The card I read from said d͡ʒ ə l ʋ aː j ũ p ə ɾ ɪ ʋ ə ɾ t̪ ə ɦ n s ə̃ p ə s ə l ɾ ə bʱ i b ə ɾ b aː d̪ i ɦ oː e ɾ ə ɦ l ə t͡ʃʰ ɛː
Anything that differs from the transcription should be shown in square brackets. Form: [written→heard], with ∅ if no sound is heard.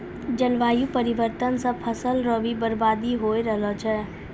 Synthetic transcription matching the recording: d͡ʒ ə l ʋ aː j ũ p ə ɾ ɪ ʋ ə ɾ t̪ ə [ɦ→∅] n s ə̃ [p→pʰ] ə s ə l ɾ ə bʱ i b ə ɾ b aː d̪ i ɦ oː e ɾ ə ɦ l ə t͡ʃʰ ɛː